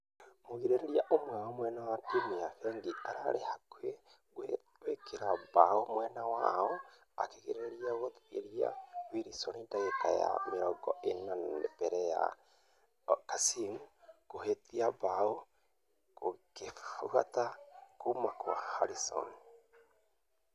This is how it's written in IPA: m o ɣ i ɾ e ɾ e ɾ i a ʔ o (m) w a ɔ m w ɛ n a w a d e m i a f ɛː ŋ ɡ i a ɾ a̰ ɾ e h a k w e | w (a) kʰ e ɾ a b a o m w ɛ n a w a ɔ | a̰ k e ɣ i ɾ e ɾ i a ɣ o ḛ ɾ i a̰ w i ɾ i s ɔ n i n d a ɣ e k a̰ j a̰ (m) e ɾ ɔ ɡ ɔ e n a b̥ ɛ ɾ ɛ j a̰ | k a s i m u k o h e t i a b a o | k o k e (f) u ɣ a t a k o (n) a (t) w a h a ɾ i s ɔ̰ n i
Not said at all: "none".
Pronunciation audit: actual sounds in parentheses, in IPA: m, e, m, f, m, k

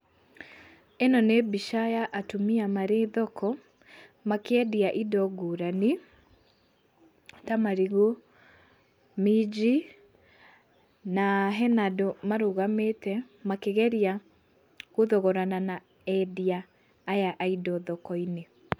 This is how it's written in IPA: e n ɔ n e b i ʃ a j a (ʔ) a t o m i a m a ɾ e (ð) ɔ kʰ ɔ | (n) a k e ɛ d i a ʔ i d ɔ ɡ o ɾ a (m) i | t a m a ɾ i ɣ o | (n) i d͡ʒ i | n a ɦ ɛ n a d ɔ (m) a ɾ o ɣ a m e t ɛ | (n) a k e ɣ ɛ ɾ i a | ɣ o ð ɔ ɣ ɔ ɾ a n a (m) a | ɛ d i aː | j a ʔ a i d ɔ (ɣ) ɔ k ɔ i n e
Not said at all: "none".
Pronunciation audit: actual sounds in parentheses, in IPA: ʔ, ð, m, n, m, m, m, n, ð

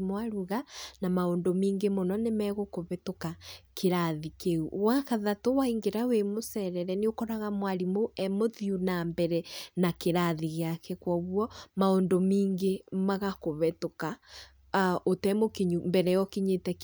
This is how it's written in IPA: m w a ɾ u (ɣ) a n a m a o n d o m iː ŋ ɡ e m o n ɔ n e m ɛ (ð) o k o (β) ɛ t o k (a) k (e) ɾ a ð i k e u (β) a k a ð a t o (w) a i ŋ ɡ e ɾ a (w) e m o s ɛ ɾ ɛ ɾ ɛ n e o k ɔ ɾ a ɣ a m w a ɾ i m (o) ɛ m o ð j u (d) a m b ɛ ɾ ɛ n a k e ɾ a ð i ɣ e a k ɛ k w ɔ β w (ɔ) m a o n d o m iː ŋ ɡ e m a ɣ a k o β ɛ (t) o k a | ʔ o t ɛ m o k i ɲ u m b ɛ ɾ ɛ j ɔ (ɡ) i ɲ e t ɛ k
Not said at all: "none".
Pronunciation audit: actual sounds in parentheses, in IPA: ɣ, ɣ, β, a, e, w, w, w, o, n, ɔ, t, k

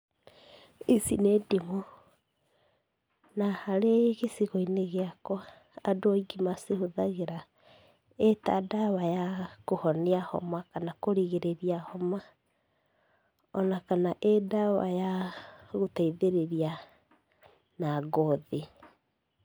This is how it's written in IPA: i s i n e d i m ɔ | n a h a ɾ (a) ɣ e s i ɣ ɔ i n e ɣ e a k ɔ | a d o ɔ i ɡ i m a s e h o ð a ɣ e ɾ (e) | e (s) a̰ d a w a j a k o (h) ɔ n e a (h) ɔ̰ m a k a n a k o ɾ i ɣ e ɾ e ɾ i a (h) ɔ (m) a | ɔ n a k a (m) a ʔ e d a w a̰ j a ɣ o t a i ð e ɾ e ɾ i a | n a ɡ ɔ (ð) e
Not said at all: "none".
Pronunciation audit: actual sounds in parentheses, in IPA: e, a, t, h, h, h, m, n, ð

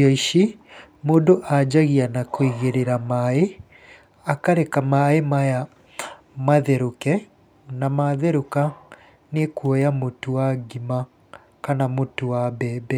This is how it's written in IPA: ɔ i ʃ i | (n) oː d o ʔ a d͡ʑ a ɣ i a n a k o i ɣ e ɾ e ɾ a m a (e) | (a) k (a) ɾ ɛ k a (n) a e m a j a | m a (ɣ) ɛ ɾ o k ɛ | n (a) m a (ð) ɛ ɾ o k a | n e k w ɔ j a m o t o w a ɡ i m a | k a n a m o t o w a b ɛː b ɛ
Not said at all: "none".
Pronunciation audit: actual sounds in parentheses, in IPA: m, e, a, a, m, ð, a, ð

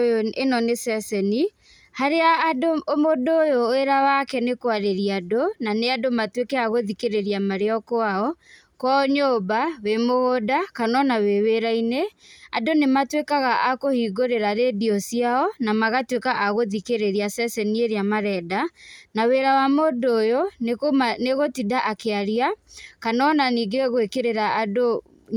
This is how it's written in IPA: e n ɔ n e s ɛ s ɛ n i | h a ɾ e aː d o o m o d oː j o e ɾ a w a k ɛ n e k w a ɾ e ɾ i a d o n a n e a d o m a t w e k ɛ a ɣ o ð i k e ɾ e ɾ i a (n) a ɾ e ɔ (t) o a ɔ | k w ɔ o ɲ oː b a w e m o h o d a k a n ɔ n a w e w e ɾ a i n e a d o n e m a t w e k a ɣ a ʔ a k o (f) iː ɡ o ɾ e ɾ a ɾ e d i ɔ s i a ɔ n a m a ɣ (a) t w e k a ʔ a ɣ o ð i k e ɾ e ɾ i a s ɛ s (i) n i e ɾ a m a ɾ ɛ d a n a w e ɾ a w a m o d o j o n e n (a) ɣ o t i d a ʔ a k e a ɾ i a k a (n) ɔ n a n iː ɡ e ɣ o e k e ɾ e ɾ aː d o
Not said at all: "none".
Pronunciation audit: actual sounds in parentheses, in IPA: m, k, h, a, ɛ, e, n

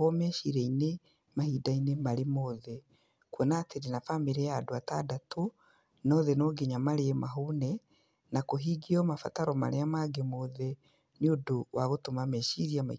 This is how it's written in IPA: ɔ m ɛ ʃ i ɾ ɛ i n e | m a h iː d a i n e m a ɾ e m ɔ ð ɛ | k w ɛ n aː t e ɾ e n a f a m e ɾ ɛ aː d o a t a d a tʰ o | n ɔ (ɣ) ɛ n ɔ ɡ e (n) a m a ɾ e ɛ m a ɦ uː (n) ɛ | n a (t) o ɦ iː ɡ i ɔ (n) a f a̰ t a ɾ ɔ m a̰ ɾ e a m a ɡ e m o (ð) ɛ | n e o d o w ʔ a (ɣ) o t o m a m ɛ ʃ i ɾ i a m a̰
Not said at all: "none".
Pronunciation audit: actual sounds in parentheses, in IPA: ð, ɲ, n, k, m, ð, ɣ

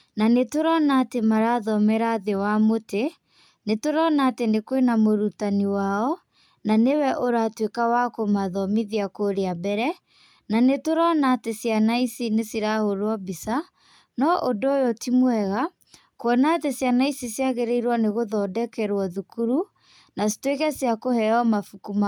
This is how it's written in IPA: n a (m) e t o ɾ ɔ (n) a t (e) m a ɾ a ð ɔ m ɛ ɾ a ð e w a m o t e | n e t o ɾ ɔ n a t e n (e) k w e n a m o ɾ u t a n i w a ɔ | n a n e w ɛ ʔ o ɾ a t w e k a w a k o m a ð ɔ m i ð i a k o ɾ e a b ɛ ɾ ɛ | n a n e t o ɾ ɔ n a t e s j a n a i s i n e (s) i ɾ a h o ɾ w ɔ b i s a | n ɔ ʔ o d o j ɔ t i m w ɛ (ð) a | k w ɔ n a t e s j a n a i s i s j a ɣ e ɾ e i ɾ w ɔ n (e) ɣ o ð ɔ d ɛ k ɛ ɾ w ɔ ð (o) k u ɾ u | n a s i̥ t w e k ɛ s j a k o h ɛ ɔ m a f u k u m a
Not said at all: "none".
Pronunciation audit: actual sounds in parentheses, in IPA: n, n, e, e, s, ɣ, e, u

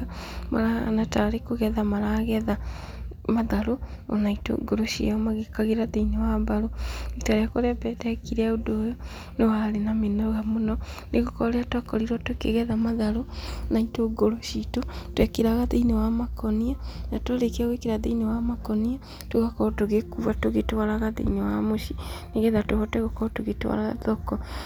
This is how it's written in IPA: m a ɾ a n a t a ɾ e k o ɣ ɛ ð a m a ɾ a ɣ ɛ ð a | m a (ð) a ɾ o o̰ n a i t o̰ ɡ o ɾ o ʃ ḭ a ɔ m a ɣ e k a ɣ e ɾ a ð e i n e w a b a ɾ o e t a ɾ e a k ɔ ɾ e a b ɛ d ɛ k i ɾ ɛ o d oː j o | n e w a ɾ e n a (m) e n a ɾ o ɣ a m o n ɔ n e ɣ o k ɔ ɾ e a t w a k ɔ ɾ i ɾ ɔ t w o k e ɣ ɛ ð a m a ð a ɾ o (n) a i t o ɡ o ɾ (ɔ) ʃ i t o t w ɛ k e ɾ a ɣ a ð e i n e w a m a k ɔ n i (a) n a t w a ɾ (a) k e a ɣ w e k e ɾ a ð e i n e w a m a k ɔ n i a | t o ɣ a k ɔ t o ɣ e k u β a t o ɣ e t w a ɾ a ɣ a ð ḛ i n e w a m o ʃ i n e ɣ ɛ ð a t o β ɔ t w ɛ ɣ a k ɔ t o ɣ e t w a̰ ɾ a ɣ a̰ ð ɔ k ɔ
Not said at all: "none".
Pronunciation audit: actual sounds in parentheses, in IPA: ð, m, n, o, a, e

